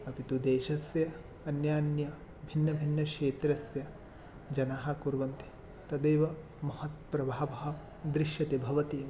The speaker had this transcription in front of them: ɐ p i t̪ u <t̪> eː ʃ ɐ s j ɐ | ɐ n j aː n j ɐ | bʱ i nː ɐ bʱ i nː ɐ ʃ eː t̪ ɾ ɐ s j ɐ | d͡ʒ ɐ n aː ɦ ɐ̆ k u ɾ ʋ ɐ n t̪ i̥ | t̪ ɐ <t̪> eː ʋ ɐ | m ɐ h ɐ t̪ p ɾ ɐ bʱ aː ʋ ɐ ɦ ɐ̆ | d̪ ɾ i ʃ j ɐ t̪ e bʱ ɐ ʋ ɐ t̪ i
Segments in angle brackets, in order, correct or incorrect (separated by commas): incorrect, incorrect